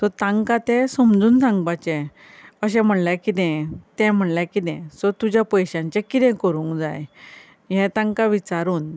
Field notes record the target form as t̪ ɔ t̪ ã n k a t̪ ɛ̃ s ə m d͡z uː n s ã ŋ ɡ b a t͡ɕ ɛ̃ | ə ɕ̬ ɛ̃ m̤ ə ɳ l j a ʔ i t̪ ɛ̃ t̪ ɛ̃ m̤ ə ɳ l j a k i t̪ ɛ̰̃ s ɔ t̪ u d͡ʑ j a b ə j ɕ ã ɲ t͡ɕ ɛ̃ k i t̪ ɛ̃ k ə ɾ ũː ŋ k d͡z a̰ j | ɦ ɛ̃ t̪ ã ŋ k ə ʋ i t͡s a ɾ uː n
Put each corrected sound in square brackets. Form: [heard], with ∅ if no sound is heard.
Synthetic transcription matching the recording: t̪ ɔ t̪ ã [ŋ] k a t̪ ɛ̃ s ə m d͡z uː n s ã ŋ ɡ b a t͡ɕ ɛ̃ | ə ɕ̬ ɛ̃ m̤ ə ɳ l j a [k] i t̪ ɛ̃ t̪ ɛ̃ m̤ ə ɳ l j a k i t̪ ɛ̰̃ s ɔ t̪ u d͡ʑ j a [p] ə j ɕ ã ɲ t͡ɕ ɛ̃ k i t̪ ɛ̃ k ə ɾ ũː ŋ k d͡z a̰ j | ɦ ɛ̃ t̪ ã ŋ k [a] ʋ i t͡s a ɾ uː n